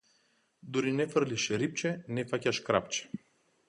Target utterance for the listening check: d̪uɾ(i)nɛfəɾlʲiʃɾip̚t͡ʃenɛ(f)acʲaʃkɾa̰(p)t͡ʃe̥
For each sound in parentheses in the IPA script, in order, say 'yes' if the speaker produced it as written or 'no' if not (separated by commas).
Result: yes, yes, yes